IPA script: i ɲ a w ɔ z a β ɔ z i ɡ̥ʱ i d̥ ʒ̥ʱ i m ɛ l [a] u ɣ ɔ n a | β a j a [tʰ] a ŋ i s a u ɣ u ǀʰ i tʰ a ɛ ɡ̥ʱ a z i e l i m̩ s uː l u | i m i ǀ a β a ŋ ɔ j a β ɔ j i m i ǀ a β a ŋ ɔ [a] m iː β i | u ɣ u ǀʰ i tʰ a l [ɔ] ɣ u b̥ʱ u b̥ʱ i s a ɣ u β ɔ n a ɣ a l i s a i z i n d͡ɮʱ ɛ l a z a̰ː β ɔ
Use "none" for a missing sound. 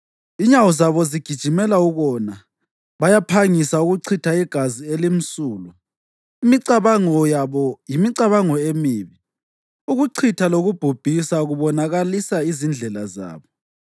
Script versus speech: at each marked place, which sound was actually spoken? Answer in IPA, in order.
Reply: a, pʰ, e, o

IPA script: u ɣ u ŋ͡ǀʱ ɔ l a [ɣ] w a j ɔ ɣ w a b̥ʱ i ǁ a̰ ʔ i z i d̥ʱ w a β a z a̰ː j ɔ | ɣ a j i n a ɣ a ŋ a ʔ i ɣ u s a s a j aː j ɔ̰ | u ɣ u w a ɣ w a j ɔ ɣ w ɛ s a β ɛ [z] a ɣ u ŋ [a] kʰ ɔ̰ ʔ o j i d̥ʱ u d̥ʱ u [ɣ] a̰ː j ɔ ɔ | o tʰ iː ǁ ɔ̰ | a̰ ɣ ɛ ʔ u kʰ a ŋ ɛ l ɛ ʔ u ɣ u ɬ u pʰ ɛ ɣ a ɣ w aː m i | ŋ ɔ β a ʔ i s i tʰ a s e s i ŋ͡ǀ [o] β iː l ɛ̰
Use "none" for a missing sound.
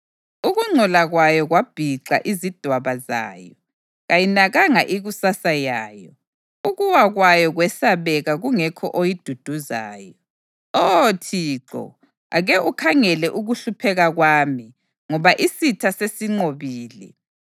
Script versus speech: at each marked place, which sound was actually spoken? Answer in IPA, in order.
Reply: ɣ, ɣ, ɛ, z, o

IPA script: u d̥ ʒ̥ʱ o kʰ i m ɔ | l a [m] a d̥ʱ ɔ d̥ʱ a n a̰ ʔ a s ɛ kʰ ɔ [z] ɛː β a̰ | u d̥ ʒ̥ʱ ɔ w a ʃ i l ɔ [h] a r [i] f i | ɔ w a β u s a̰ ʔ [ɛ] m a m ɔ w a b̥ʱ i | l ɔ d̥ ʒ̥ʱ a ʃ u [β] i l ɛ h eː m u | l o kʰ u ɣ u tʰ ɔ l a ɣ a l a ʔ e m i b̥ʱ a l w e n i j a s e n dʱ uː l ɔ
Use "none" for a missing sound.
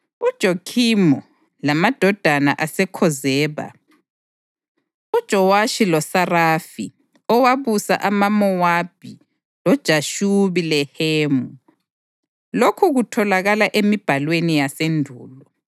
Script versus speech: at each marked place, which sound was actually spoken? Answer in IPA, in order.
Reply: m, z, s, a, a, β

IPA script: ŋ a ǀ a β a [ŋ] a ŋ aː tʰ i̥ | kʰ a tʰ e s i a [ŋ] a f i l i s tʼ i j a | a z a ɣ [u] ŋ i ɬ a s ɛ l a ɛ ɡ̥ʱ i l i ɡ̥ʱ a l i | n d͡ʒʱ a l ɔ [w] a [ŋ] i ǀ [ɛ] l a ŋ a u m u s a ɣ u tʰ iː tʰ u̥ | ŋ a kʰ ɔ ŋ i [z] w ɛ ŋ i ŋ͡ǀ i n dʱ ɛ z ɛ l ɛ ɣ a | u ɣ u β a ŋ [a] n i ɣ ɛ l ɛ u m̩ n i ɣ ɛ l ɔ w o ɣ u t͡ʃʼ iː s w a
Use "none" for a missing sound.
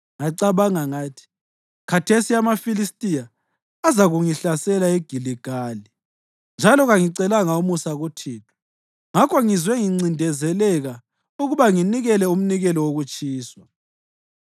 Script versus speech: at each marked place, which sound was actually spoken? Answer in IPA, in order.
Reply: ŋ, m, u, ɣ, ŋ, ɛ, z, i

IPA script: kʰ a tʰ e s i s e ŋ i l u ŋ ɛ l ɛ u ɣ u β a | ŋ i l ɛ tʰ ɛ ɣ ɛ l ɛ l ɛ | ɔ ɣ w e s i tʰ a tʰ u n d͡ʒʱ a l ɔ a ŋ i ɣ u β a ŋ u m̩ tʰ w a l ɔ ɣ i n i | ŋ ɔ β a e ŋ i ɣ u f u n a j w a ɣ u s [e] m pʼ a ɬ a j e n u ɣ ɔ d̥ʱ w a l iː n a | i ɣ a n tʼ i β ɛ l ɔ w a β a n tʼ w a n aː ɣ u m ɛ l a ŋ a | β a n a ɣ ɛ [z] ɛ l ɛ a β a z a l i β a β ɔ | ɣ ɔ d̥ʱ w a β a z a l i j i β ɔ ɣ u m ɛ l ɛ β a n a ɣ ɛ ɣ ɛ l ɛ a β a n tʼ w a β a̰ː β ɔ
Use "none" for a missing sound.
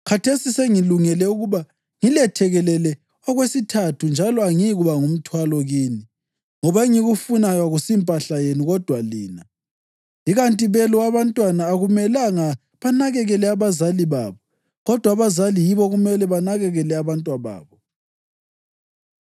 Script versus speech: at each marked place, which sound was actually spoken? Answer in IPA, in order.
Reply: i, ɣ

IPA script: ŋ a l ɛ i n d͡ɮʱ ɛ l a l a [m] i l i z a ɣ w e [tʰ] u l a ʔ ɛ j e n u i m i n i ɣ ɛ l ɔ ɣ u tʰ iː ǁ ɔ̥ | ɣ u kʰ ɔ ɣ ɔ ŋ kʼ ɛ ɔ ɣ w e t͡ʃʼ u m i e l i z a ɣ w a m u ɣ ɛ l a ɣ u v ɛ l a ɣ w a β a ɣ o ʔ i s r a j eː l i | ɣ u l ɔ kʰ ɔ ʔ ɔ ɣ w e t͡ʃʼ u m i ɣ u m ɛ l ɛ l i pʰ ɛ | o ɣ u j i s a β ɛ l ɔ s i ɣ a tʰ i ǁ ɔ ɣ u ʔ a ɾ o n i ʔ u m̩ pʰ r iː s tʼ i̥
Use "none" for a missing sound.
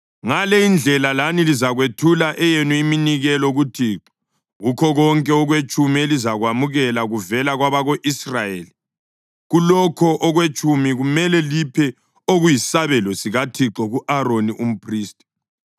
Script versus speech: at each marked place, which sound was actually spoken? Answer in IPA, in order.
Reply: n, tʰ

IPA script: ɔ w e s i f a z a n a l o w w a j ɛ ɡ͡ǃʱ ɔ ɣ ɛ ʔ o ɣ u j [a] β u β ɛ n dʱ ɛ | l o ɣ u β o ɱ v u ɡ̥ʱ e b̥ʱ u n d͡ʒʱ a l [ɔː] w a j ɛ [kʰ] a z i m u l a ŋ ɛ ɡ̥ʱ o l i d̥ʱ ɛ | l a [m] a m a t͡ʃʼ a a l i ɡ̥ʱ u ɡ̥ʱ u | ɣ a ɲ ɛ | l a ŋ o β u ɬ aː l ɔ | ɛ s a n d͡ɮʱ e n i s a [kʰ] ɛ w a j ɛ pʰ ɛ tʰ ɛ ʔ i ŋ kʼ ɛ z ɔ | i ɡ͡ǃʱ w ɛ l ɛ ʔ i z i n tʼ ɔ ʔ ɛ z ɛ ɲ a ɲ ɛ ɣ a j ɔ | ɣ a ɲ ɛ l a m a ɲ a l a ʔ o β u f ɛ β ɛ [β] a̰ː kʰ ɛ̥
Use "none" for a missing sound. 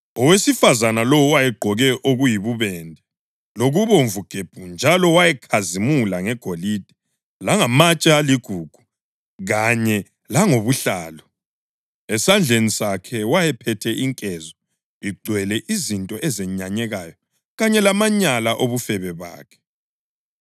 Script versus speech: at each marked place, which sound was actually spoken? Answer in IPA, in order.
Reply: i, ɔ, kʰ, ŋ, kʰ, β

